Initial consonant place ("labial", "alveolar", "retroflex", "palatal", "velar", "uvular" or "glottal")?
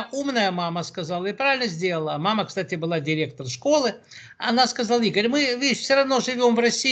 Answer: labial